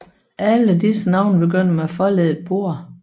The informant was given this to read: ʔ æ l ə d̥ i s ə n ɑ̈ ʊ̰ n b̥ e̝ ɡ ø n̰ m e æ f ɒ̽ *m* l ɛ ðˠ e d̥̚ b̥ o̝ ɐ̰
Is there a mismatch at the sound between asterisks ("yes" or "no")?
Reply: yes